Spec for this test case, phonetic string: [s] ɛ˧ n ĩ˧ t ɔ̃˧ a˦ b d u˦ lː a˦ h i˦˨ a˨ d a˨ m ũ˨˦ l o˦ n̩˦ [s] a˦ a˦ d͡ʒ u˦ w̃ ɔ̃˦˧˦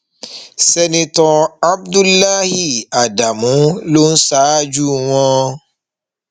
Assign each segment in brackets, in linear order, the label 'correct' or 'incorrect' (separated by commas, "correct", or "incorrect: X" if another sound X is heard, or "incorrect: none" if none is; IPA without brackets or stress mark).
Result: correct, correct